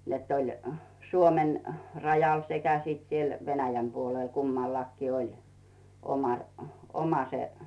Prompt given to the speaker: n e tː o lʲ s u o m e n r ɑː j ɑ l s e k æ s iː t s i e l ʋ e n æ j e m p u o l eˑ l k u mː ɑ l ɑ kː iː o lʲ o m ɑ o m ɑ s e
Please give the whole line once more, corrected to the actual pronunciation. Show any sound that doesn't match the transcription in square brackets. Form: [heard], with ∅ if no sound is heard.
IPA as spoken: n e tː o lʲ s u o m e n r [ɑ] j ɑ l s e k æ s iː t s i e l ʋ e n æ j [æ] m p u o l eˑ l k u mː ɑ [lː] ɑ kː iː o lʲ o m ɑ o m ɑ s e